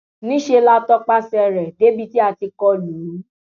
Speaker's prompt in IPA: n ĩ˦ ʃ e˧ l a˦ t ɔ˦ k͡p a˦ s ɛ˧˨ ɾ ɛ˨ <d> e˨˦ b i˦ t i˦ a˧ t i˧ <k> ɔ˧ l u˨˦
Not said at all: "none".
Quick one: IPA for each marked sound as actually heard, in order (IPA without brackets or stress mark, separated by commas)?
d, k